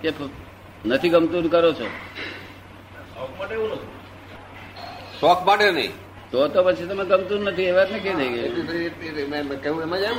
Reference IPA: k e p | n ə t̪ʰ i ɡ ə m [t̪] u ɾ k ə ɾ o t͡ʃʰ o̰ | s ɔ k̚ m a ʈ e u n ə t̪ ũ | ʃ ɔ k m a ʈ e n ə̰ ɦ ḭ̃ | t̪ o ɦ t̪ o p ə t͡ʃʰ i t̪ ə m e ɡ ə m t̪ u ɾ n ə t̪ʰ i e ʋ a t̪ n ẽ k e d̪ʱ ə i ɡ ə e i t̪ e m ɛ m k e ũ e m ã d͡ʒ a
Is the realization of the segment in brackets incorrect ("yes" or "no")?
no